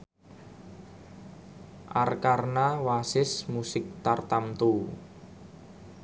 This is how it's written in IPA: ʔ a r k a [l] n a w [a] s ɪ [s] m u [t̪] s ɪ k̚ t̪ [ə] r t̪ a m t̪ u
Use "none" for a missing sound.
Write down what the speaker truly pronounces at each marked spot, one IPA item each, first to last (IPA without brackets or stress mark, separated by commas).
r, a, s, none, a